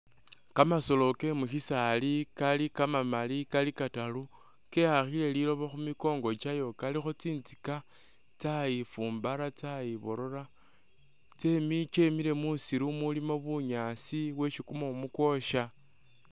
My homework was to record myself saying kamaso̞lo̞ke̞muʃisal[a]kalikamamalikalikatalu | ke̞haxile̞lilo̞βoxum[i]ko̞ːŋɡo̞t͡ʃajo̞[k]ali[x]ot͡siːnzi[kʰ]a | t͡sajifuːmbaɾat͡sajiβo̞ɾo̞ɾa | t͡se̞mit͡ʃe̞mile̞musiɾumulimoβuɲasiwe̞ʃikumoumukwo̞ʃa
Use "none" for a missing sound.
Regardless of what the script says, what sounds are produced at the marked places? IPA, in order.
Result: i, i, k, x, k

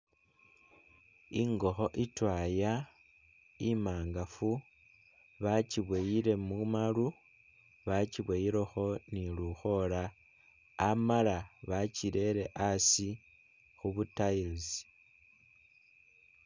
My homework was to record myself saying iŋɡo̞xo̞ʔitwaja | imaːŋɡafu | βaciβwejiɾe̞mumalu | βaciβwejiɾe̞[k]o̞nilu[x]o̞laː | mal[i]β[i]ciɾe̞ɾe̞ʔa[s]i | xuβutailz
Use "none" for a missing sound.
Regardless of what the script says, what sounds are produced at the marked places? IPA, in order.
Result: x, x, a, a, s

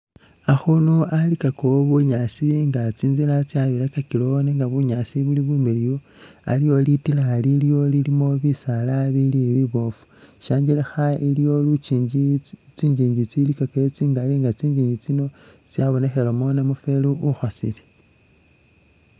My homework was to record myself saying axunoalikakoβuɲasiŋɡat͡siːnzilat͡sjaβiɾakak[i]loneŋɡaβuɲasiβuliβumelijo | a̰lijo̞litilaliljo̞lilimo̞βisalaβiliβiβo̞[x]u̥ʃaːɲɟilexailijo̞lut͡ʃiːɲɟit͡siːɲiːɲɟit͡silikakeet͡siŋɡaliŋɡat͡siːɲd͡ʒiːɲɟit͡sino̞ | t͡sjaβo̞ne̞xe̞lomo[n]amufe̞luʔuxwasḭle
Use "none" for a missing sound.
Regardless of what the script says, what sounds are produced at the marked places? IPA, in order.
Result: i, f, n

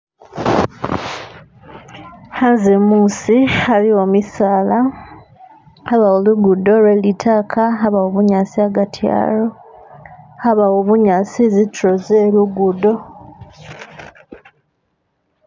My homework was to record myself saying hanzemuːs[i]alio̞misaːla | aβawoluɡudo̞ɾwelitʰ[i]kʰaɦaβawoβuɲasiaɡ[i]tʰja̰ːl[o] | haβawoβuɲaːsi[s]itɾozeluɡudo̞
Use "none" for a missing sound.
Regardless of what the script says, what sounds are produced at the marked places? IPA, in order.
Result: i, a, a, o, z

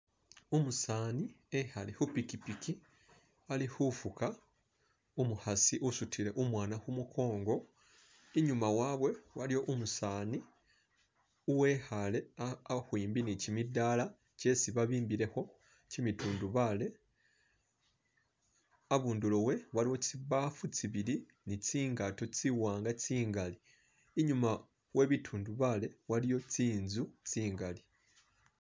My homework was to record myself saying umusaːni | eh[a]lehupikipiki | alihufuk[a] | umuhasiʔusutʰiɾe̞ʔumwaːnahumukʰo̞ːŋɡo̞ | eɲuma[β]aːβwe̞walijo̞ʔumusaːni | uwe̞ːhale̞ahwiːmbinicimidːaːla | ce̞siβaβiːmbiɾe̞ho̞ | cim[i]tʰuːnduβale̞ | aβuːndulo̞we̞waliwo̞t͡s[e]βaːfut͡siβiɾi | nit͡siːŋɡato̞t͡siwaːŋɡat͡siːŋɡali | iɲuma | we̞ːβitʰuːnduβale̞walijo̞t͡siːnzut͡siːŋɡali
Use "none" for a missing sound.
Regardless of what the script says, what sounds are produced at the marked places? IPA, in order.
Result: a, a, w, i, i

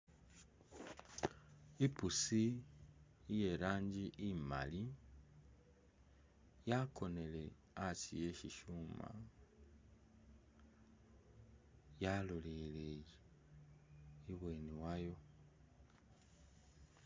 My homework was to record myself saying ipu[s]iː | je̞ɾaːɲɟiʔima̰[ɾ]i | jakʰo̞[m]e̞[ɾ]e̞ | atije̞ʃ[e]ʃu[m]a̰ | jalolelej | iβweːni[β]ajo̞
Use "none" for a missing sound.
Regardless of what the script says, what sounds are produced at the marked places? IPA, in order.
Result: s, l, n, l, i, m, w

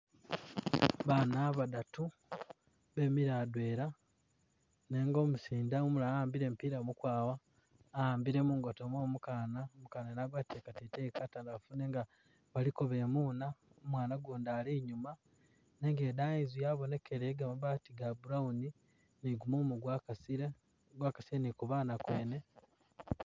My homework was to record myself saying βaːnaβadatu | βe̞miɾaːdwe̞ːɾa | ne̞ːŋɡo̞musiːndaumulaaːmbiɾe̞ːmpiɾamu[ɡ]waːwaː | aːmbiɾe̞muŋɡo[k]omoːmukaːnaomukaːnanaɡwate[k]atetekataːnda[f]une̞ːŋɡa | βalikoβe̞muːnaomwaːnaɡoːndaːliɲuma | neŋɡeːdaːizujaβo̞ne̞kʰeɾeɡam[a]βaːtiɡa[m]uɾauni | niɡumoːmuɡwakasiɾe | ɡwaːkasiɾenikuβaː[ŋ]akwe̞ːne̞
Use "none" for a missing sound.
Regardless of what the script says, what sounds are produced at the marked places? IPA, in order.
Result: k, t, k, f, a, b, n

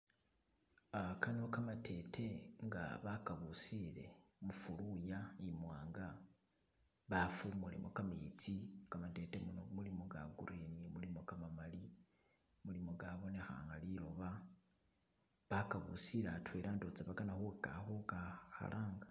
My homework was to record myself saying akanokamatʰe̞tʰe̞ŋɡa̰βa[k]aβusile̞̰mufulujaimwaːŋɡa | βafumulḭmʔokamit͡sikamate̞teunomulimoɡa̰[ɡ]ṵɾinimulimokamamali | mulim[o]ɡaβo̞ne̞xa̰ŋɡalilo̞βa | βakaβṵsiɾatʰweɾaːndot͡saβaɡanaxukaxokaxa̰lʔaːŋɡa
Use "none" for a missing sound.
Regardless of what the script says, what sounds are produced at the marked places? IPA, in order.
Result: k, ɡ, o

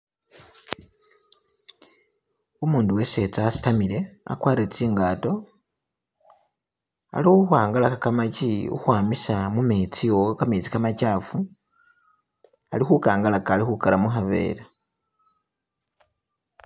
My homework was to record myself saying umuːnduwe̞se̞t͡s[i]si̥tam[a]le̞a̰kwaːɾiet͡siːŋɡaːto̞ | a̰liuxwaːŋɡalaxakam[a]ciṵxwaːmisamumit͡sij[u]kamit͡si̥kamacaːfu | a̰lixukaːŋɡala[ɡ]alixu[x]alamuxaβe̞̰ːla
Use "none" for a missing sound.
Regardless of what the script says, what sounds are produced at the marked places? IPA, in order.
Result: a, i, a, o, k, k

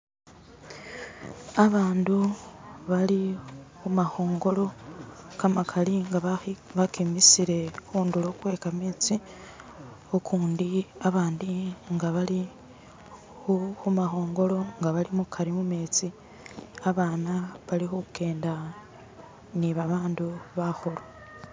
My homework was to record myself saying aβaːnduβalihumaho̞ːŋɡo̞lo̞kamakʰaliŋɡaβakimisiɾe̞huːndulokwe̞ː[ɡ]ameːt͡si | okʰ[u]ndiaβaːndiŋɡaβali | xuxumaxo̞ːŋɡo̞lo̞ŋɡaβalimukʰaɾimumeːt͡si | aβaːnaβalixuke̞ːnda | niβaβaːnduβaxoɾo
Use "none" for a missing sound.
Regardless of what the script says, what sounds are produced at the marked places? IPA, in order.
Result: k, uː

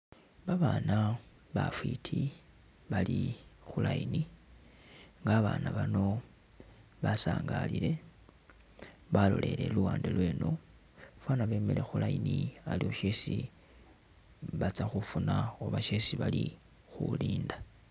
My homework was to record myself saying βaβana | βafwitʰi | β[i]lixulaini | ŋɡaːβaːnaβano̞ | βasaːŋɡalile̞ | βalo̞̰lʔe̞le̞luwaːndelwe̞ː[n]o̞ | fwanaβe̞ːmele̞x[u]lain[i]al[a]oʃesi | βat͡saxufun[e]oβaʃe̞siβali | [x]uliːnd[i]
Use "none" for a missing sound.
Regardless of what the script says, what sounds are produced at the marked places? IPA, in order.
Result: a, n, u, i, i, a, x, a

